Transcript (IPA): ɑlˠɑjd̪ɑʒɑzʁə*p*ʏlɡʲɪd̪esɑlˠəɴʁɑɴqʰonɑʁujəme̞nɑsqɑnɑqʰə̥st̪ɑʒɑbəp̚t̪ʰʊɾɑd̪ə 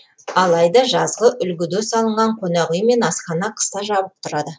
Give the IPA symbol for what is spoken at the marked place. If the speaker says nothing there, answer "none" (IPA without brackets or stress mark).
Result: ʔ